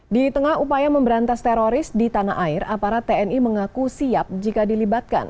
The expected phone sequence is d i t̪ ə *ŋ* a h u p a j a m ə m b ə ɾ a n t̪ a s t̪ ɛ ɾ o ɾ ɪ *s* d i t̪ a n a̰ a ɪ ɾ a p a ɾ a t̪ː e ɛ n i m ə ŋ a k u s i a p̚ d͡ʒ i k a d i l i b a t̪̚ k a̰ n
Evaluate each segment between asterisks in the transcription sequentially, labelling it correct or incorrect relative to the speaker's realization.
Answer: correct, correct

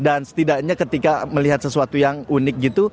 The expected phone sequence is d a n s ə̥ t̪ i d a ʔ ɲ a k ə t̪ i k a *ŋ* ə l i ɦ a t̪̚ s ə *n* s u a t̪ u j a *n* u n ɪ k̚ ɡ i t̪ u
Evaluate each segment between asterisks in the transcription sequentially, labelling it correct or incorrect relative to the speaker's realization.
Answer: incorrect, incorrect, incorrect

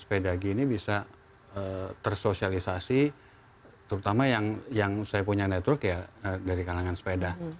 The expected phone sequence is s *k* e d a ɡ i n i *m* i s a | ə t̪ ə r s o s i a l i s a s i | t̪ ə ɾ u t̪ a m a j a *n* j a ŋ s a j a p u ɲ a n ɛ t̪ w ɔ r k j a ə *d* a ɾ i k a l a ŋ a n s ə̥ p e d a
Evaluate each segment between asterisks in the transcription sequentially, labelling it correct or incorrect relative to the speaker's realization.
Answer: incorrect, incorrect, incorrect, correct

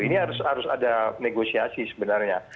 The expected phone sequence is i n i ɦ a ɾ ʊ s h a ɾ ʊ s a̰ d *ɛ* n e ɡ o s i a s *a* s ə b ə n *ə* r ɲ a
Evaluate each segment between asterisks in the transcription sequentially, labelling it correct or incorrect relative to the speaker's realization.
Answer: incorrect, incorrect, incorrect

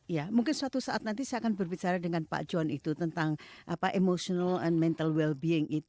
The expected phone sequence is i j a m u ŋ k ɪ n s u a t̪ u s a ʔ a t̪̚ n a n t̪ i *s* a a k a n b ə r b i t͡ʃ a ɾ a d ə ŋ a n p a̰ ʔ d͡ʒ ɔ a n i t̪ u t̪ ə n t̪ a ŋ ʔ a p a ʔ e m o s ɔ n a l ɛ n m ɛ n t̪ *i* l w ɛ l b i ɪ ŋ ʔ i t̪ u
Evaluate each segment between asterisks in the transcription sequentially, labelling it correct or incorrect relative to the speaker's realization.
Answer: correct, incorrect

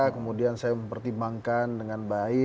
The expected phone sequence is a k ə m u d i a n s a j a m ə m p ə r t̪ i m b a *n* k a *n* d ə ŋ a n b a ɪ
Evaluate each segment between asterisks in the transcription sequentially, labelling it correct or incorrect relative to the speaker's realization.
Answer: incorrect, correct

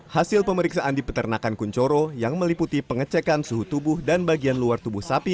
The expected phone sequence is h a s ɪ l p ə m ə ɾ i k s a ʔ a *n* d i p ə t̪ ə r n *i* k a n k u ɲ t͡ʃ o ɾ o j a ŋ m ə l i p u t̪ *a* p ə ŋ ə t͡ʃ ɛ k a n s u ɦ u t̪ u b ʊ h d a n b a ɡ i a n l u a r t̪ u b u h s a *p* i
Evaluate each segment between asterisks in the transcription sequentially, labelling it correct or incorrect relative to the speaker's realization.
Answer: correct, incorrect, incorrect, correct

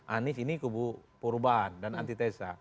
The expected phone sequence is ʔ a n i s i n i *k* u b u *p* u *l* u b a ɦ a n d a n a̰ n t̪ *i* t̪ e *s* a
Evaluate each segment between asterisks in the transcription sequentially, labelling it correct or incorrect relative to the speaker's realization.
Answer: correct, correct, incorrect, correct, correct

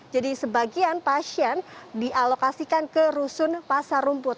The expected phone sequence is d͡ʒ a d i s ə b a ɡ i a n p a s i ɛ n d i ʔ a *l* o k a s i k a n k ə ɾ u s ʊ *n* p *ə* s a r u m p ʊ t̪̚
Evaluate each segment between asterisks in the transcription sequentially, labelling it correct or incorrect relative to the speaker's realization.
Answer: correct, correct, incorrect

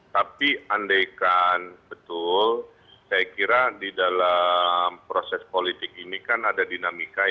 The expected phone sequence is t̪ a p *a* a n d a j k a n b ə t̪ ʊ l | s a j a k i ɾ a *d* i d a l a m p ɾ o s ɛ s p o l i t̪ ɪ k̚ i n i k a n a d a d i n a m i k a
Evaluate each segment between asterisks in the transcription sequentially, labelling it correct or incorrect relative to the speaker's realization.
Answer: incorrect, correct

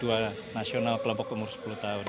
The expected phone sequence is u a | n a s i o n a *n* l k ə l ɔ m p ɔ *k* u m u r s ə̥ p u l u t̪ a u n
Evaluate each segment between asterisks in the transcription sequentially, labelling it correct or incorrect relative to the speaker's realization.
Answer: incorrect, correct

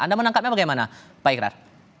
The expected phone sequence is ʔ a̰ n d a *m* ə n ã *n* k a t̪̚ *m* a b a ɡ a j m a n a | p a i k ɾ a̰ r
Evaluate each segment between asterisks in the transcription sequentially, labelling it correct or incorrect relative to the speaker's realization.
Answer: correct, incorrect, incorrect

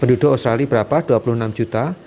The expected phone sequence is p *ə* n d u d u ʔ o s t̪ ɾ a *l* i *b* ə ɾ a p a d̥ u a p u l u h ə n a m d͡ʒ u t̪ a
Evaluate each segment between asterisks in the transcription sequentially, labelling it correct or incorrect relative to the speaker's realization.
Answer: correct, correct, correct

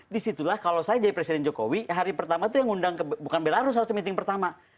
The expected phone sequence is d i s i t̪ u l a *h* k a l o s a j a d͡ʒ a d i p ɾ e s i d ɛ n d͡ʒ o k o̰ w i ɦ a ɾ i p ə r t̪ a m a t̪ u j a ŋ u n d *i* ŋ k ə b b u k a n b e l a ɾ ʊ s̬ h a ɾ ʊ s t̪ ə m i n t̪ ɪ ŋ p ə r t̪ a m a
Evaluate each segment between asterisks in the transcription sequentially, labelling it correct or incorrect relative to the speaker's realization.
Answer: correct, incorrect

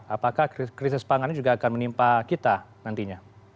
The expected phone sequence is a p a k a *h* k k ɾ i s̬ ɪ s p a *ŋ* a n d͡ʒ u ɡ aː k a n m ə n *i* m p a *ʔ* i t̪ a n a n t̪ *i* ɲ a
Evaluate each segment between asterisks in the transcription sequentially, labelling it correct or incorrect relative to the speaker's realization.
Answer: correct, correct, correct, incorrect, correct

